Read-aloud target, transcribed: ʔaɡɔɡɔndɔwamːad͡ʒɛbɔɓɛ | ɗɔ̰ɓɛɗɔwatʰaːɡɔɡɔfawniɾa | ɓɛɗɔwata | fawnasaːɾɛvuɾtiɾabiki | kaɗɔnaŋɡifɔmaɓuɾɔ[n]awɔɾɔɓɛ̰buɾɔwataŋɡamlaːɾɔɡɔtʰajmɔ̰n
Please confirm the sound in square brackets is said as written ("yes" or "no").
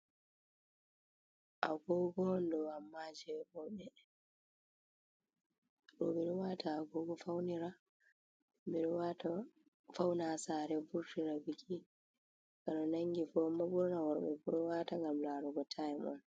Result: yes